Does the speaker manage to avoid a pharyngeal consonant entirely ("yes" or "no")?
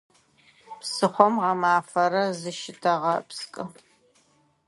yes